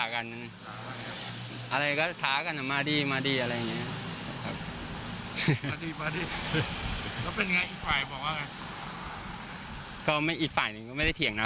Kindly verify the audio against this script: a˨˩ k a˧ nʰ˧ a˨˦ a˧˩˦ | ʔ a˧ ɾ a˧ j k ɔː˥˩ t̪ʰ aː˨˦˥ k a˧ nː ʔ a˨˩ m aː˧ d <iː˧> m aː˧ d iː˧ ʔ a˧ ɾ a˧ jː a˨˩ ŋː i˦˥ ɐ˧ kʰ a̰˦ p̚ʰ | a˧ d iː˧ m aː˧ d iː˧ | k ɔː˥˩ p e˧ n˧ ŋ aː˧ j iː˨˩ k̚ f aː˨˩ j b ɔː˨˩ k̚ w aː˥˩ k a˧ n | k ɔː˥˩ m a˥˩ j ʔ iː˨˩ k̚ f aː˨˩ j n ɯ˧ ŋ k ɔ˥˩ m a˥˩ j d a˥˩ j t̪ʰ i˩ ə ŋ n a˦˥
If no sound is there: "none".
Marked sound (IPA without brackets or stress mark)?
iː˧